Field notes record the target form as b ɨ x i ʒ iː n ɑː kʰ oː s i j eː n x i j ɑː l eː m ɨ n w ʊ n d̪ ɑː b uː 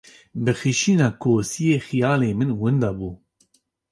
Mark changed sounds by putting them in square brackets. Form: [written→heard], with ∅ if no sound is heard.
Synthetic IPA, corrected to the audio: b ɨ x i [ʒ→ʃ] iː n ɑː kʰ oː s i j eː [n→∅] x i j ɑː l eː m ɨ n w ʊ n d̪ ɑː b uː